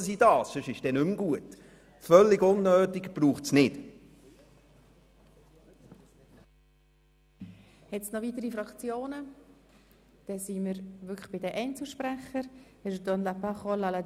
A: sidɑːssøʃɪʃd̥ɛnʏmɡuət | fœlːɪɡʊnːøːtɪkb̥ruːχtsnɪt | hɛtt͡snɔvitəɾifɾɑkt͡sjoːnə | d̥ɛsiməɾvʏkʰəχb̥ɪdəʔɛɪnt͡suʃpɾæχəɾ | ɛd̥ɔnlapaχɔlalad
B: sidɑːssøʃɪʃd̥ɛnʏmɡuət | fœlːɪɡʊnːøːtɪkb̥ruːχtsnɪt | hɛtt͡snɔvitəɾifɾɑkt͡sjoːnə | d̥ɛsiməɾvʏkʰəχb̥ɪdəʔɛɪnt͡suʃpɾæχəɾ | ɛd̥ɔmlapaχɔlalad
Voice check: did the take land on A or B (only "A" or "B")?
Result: A